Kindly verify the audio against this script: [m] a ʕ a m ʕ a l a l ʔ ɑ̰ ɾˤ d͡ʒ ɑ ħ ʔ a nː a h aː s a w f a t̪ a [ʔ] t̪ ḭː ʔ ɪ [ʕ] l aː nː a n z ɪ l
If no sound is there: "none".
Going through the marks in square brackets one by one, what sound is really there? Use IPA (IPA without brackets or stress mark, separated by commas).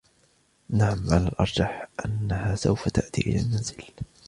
n, ʔ, none